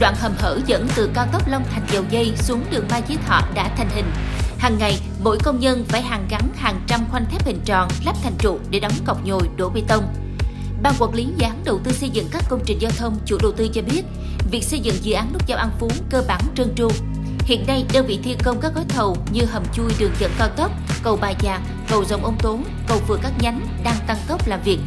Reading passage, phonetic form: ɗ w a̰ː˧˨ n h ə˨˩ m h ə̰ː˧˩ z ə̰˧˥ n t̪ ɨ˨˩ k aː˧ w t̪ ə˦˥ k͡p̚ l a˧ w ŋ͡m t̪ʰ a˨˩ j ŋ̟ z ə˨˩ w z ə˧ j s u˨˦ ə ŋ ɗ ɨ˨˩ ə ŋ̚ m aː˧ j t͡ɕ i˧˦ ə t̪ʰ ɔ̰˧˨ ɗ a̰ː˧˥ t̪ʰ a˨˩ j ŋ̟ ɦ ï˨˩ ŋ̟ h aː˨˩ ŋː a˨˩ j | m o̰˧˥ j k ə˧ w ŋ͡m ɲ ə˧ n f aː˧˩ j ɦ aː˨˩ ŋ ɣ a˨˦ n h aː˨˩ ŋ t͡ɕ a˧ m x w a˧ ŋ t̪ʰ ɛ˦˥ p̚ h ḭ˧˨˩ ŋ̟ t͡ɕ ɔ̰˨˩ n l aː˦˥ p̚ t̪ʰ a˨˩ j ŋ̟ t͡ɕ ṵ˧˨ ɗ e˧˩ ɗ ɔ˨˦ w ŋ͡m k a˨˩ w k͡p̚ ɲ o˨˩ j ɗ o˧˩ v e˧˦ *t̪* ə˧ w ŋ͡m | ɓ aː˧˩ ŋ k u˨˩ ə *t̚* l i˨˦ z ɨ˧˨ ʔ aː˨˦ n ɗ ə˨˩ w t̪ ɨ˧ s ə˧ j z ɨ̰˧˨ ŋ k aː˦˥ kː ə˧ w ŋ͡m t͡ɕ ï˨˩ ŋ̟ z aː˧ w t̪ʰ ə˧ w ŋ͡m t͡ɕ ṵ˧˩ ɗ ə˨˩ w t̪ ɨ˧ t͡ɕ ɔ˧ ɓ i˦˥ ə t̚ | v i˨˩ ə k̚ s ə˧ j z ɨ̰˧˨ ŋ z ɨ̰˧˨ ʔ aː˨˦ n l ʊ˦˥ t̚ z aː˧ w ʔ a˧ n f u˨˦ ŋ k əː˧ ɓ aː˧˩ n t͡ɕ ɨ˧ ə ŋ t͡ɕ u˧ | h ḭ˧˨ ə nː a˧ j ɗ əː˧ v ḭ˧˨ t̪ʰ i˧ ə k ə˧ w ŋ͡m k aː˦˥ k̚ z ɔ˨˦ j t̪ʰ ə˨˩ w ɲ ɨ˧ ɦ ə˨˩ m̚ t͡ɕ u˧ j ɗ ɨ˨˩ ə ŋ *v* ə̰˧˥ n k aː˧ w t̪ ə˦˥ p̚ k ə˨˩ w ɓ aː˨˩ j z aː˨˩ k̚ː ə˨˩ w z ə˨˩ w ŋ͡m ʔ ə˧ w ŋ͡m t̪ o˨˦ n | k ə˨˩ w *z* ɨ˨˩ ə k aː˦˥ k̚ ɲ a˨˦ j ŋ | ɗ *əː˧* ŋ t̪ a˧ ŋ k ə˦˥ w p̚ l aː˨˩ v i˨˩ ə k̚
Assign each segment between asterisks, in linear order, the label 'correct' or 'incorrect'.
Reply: correct, incorrect: k̚, incorrect: z, incorrect: v, incorrect: aː˧

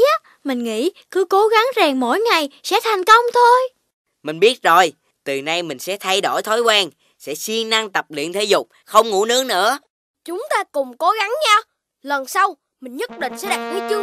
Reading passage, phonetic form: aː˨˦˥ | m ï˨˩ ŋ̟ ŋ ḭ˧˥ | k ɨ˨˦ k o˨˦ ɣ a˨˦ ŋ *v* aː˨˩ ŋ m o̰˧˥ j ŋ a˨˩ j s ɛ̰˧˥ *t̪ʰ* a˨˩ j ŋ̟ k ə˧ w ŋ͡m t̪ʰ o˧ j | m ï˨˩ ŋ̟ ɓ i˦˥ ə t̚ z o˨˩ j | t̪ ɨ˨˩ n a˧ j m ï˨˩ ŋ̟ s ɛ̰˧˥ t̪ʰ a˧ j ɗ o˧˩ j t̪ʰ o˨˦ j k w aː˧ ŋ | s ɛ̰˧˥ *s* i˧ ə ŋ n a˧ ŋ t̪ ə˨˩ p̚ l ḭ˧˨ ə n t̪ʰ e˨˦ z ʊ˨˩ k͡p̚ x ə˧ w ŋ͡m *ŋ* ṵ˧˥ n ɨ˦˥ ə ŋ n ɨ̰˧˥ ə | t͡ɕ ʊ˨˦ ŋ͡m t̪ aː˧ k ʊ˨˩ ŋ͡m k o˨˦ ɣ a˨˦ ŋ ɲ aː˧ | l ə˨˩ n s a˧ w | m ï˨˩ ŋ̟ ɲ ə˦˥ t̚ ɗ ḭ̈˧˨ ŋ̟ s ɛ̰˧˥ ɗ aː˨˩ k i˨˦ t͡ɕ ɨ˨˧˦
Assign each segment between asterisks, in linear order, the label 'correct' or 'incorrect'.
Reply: incorrect: z, correct, correct, correct

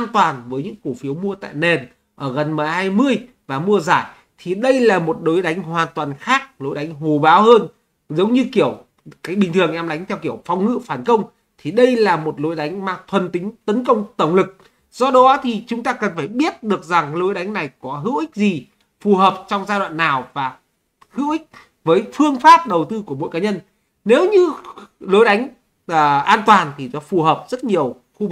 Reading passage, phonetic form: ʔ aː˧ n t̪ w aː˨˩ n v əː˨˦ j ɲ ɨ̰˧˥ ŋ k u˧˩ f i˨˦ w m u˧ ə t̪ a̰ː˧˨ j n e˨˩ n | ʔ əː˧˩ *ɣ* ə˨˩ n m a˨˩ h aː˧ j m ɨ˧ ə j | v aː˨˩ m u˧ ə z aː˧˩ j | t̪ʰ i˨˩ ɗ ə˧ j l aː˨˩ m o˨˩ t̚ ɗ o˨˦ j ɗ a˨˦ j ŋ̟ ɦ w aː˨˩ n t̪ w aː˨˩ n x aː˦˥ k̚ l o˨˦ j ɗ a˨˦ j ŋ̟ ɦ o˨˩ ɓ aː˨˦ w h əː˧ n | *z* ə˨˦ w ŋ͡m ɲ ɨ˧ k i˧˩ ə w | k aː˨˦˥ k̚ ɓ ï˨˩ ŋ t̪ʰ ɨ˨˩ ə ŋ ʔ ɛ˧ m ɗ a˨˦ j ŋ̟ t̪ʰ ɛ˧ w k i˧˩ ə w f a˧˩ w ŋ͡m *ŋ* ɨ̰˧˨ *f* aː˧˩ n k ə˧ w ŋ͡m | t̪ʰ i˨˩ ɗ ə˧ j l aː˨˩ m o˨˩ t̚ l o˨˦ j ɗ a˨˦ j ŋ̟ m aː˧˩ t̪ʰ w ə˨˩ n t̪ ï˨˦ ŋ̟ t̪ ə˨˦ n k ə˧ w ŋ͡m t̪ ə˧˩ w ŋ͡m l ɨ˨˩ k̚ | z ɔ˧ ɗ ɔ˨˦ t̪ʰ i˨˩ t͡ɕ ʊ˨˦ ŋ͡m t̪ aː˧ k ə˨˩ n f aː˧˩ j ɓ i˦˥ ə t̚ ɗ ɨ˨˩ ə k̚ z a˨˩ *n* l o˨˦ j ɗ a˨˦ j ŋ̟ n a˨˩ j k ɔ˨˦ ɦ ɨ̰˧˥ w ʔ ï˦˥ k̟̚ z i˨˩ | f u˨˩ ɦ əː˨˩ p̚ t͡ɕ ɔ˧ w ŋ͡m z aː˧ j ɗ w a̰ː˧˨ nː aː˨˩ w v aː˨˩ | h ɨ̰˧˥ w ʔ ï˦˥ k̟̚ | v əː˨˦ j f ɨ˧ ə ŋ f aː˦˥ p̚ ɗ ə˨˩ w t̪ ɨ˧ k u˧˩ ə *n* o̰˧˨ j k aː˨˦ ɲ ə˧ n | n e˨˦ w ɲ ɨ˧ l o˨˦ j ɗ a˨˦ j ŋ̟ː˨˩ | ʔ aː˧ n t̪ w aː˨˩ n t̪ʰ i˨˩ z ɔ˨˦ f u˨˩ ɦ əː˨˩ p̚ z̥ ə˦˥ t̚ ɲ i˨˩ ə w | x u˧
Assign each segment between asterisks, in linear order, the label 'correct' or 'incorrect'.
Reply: correct, correct, correct, correct, incorrect: ŋ, incorrect: m

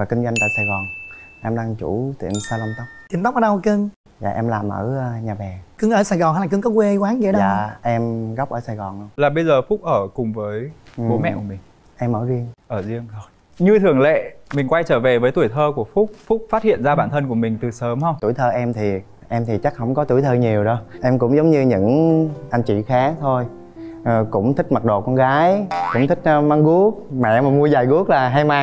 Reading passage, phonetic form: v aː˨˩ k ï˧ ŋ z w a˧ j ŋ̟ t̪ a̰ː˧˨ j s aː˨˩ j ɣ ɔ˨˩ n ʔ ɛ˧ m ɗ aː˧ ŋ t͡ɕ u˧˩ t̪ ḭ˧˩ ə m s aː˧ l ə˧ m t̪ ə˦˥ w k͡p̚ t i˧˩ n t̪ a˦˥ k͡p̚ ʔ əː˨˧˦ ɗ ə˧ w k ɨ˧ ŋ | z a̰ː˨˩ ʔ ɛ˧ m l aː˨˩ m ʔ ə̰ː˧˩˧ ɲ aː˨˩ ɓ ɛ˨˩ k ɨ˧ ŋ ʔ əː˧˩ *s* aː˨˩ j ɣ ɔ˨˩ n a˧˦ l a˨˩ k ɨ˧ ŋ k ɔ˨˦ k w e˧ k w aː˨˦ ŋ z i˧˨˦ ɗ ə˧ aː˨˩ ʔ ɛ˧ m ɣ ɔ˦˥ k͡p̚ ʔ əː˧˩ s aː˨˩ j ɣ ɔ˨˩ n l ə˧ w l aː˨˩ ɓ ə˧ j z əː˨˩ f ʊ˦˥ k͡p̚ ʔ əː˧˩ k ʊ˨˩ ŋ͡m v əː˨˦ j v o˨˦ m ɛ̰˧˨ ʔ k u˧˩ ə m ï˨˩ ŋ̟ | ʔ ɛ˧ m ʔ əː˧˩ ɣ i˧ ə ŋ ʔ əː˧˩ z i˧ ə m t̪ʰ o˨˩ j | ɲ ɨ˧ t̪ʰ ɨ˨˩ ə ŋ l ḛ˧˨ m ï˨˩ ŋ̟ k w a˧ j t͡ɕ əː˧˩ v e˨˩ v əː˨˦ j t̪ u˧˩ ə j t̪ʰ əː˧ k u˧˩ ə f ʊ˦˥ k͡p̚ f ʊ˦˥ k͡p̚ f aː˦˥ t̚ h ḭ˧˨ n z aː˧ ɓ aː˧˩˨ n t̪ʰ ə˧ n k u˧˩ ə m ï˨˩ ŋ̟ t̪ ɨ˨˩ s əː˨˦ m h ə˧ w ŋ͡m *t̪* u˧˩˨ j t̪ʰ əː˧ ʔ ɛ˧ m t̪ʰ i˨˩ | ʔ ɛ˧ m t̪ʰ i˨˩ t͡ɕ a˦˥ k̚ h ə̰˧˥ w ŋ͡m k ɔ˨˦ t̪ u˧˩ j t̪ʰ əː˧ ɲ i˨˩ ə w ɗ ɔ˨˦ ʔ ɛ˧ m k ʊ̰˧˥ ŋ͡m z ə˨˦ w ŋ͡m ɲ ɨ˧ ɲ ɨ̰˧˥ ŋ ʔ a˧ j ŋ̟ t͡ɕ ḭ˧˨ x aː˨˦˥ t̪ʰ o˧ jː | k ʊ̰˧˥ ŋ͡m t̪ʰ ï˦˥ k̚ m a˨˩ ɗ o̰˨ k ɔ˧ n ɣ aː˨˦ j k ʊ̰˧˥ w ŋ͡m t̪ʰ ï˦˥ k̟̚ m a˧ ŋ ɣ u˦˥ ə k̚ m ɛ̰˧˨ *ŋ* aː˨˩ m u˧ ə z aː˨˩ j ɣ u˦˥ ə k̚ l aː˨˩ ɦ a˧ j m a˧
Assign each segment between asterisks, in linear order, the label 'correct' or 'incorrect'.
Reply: correct, correct, incorrect: m

